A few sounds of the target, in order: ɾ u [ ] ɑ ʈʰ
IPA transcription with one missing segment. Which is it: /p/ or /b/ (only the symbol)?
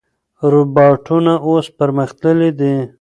b